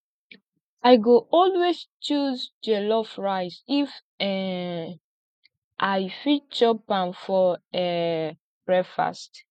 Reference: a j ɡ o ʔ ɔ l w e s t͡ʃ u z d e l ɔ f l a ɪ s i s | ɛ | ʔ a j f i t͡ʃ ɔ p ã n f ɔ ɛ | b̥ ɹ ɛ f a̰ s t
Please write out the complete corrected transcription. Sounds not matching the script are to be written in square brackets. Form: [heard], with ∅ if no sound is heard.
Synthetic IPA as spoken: a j ɡ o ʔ ɔ l w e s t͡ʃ u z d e l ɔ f [ɹ] a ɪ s i [f] | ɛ | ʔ a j f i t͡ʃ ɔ p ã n f ɔ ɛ | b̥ ɹ ɛ f a̰ s t